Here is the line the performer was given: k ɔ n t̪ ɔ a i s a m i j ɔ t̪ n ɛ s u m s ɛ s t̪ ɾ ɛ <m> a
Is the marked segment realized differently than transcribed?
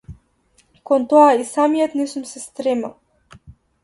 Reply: no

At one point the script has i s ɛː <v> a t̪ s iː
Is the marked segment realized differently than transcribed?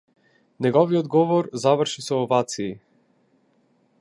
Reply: no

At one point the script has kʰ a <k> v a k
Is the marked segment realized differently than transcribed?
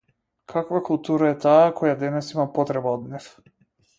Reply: no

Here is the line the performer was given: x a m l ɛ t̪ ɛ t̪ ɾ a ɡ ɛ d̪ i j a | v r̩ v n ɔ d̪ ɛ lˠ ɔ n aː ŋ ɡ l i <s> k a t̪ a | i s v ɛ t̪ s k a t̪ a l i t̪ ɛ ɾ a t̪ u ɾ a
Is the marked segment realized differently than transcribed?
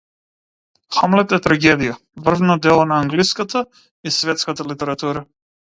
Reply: no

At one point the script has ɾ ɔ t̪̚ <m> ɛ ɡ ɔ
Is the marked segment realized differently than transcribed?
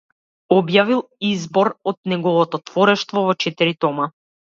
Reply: yes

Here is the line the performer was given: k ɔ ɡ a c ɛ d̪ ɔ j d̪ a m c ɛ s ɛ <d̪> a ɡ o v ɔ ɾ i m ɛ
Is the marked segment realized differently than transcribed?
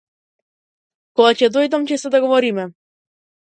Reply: no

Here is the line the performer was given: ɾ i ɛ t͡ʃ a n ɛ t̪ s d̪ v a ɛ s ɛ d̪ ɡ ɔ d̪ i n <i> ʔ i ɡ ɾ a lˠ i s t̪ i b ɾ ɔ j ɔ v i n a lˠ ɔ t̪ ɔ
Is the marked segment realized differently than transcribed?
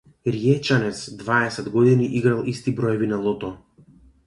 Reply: no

